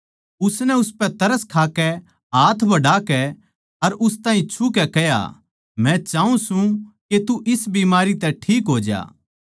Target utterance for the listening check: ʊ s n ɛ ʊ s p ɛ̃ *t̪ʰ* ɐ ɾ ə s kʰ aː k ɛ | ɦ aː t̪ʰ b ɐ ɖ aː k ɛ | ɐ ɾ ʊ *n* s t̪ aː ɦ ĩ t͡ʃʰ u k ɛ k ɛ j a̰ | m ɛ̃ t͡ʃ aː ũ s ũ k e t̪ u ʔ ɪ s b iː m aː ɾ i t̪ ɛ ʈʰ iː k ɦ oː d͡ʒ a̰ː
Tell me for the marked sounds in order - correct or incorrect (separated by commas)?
incorrect, incorrect